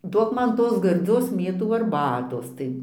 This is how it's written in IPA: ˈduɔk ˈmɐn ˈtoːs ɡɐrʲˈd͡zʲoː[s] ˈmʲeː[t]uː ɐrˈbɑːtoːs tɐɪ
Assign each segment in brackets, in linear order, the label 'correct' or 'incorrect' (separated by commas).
correct, correct